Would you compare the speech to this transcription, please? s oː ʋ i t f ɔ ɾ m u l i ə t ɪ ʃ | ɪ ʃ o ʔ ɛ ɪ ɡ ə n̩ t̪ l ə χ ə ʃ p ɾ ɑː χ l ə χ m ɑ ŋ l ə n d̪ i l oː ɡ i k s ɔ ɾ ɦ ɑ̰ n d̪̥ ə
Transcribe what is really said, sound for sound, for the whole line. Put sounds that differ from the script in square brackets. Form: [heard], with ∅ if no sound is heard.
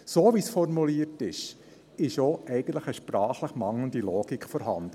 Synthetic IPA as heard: s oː ʋ i [s] f ɔ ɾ m u l i ə t ɪ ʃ | ɪ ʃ o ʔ ɛ ɪ ɡ ə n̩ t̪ l ə χ ə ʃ p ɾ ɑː χ l ə χ m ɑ ŋ l ə n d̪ i l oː ɡ i k [f] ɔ ɾ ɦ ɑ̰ n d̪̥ ə